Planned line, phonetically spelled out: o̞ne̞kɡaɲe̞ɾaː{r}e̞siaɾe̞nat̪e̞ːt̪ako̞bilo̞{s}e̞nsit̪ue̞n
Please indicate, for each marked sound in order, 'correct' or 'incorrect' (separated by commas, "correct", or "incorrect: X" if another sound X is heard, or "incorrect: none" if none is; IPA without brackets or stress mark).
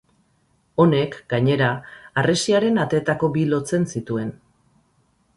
correct, incorrect: t͡s